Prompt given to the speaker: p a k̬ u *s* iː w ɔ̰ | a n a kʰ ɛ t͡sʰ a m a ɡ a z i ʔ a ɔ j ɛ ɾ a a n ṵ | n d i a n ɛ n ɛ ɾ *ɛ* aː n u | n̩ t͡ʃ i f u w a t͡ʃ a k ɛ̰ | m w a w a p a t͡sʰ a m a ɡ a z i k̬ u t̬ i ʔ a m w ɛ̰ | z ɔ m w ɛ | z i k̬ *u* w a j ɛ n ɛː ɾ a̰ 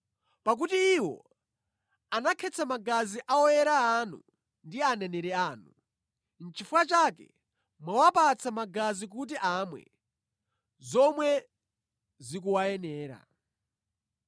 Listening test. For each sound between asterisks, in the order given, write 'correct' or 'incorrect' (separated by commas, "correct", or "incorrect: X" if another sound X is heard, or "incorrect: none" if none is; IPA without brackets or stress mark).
incorrect: t, correct, correct